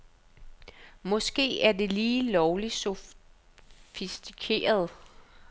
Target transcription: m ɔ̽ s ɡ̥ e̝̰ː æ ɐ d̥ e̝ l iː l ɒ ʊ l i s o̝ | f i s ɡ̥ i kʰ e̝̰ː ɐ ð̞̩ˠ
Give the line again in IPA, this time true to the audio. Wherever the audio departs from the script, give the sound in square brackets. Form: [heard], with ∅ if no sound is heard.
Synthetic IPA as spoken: m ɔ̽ s ɡ̥ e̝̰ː æ ɐ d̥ e̝ l iː l ɒ ʊ l i s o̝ | f i s [d̥] i kʰ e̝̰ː ɐ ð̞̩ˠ